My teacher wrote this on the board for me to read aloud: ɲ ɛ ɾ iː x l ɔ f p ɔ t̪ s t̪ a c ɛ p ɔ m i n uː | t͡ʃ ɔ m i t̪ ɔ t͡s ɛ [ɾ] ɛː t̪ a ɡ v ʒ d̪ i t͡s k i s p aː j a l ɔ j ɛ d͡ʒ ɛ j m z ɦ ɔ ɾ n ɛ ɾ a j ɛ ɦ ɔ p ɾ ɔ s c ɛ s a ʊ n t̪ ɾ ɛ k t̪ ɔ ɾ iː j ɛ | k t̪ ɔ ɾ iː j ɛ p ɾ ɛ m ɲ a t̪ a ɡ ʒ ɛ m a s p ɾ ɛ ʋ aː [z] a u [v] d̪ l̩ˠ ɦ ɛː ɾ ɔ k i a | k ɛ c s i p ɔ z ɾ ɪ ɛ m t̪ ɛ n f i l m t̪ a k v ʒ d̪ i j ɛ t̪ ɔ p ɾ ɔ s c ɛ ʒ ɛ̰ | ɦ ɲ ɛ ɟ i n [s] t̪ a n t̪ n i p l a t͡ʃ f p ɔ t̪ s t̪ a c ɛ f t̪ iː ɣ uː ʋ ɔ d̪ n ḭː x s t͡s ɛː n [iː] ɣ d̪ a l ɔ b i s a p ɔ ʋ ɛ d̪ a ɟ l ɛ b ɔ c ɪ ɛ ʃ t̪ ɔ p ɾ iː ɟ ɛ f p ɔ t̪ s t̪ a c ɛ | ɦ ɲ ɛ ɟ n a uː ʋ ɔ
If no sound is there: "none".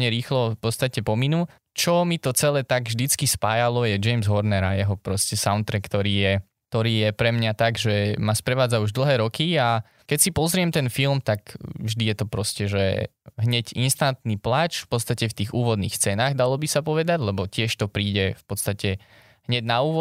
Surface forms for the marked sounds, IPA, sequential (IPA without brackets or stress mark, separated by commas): l, d͡z, ʒ, s, aː